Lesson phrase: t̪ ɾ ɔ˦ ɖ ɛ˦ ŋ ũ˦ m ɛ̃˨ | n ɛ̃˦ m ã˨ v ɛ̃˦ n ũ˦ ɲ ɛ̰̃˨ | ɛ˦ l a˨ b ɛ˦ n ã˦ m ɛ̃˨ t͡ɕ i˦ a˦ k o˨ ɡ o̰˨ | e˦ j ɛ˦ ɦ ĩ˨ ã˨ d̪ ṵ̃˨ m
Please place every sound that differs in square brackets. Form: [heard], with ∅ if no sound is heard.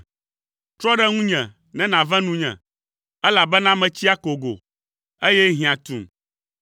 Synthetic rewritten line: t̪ ɾ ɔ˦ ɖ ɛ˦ ŋ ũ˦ [ɲ] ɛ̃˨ | n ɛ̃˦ [n] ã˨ v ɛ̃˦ n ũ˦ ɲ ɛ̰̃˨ | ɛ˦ l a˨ b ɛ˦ n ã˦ m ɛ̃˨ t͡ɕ i˦ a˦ k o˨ ɡ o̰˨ | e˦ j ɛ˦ ɦ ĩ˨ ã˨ [t̪] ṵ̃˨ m